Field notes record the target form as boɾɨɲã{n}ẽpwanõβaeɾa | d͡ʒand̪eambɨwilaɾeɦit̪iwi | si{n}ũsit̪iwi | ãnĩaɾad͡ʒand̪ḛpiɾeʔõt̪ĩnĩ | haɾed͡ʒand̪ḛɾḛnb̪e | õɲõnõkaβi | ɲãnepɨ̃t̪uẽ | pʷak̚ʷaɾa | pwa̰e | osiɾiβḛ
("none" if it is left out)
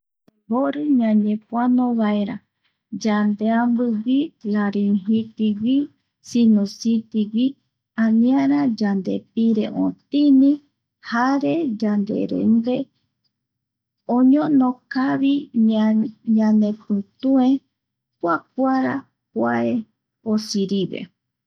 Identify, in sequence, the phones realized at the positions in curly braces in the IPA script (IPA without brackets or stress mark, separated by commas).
ɲ, n